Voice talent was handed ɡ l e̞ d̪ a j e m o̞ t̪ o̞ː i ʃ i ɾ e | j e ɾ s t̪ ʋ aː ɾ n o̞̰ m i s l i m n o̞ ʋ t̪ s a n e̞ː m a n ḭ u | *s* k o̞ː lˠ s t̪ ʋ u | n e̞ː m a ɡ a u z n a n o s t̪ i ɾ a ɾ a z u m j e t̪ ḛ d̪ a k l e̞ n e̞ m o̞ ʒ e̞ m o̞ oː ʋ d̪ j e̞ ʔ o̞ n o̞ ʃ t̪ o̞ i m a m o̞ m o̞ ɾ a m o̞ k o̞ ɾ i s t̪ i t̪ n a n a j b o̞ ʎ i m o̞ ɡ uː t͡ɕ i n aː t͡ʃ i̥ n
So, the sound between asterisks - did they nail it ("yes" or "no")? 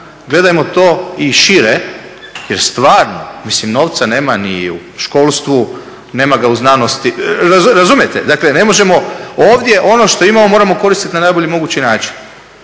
no